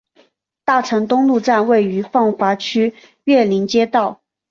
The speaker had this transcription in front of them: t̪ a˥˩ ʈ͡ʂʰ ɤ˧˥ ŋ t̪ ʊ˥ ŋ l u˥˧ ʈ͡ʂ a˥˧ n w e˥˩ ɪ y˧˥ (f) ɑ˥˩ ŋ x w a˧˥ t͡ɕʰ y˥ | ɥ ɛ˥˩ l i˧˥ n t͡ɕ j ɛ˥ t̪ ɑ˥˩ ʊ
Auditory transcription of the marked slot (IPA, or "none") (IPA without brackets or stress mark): f